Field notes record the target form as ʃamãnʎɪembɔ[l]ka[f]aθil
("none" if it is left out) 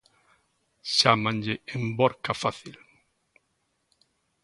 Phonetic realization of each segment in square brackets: ɾ, f

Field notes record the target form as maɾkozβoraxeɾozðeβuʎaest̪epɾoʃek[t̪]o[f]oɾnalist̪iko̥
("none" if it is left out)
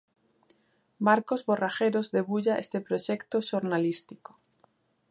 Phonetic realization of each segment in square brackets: t̪, ʃ

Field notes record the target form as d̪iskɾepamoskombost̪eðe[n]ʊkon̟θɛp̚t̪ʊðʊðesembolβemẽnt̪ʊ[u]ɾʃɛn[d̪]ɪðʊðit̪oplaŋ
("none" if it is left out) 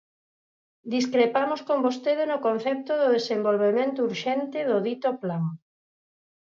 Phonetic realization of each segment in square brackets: n, u, t̪

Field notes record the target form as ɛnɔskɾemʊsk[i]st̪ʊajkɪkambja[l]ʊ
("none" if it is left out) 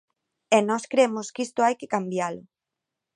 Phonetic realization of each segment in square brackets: i, l

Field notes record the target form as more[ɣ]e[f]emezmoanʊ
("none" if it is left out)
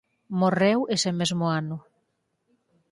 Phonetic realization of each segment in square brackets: w, s

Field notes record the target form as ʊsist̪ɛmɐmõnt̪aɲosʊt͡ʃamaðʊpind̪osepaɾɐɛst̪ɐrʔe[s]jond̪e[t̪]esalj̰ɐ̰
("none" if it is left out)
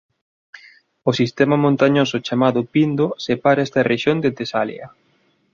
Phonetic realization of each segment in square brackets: ʃ, t̪

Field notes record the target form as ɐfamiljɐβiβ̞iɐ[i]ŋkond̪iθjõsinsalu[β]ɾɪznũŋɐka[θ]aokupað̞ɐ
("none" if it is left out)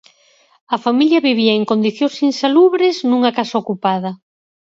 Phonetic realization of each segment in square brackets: e, β, s

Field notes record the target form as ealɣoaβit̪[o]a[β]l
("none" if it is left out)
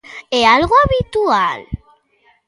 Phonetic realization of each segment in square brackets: u, none

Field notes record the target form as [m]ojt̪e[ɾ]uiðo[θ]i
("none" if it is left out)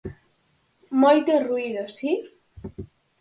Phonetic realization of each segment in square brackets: m, r, s

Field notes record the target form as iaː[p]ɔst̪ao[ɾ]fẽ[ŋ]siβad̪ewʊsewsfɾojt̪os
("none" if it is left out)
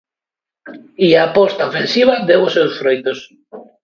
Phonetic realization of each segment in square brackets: p, none, n

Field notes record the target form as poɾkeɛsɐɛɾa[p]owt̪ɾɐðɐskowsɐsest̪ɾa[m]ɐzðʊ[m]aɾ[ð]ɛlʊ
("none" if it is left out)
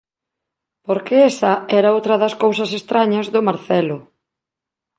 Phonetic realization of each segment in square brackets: none, ɲ, m, θ

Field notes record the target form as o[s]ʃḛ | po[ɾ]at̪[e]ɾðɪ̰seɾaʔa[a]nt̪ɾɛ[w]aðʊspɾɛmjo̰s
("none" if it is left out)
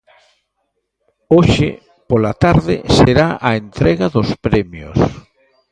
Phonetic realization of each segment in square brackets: none, l, a, e, ɣ

